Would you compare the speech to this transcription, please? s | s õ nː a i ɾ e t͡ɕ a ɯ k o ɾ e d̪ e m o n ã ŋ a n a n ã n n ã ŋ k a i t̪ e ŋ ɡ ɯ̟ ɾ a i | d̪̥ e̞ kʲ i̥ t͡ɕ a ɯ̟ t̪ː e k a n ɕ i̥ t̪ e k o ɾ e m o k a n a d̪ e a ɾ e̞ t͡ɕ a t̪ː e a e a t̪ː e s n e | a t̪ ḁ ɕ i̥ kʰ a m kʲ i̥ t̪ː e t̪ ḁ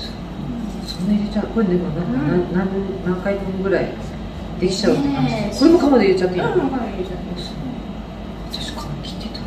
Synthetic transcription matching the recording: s | s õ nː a i ɾ e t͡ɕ a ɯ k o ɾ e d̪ e m o n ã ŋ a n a n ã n n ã ŋ k a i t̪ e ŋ ɡ ɯ̟ ɾ a i | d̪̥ e̞ kʲ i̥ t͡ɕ a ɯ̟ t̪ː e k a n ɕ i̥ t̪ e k o ɾ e m o k a m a d̪ e i ɾ e̞ t͡ɕ a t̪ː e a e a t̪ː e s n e | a t̪ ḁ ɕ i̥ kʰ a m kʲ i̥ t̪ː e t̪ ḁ